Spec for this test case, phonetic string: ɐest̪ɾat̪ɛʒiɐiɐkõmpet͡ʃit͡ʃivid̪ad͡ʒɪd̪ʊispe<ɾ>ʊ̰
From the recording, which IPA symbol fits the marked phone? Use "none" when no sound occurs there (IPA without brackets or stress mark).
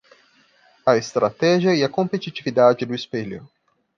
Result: ʎ